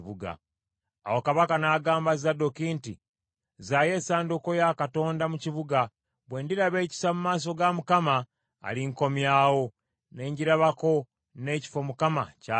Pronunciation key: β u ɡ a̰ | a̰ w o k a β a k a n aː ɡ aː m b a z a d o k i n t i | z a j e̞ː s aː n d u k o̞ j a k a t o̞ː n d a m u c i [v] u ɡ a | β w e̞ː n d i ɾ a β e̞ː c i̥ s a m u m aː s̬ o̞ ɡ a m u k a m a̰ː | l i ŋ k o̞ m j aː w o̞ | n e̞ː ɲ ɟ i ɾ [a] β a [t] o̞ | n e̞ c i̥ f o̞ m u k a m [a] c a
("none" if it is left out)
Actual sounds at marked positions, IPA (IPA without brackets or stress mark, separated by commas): β, a, k, a